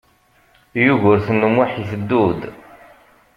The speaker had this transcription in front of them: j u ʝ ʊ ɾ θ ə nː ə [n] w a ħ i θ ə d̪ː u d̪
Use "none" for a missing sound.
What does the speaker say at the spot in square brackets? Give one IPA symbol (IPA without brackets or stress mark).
m